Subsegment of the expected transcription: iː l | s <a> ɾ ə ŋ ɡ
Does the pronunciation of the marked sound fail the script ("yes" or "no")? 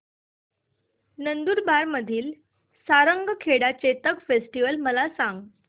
no